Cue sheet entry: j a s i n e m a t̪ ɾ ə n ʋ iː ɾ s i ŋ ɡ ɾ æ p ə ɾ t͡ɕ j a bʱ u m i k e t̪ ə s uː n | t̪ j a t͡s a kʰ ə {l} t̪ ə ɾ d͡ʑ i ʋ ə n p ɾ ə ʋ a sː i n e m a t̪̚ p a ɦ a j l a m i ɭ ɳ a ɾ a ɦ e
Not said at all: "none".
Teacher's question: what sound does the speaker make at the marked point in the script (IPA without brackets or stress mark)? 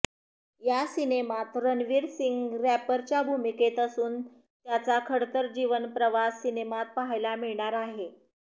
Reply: ɽ